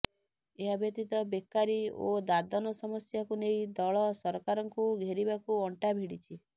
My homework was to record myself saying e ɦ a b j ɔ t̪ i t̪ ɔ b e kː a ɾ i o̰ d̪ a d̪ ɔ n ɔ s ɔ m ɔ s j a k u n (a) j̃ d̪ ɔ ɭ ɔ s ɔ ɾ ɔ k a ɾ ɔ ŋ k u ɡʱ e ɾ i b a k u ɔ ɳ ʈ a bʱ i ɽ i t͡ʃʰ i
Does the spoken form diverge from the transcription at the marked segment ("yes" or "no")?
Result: yes